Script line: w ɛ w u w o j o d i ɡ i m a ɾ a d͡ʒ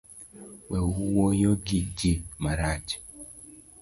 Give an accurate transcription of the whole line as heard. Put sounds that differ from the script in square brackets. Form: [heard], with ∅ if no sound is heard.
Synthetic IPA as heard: w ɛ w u w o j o [ɡ] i ɡ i m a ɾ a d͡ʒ